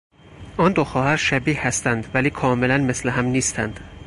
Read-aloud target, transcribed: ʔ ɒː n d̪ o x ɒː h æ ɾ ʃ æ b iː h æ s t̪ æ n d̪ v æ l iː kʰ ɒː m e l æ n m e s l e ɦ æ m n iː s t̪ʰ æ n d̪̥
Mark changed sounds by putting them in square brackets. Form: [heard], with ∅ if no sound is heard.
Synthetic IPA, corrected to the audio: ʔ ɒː n d̪ o x ɒː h æ ɾ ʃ æ b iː h æ s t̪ æ n d̪ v æ l iː kʰ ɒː m e l æ n m e s l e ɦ æ m n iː s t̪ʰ æ n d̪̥